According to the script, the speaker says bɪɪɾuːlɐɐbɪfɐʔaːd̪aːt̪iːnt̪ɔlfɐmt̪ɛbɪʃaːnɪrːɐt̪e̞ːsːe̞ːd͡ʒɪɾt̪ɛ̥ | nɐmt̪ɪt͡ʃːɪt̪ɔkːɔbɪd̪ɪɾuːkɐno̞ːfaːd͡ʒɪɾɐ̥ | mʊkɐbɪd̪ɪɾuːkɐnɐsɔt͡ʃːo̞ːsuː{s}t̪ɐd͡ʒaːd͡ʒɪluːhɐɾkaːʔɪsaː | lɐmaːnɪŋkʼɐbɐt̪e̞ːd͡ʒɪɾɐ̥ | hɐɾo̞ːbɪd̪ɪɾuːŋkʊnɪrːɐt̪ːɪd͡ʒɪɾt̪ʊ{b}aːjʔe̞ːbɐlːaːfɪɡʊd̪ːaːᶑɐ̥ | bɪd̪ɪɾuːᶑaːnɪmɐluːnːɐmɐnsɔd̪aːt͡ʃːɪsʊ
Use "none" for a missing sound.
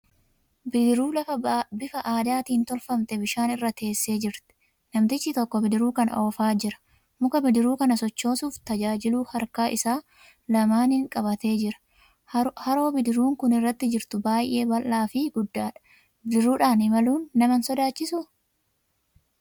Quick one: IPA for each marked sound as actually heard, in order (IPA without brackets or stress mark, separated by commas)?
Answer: f, b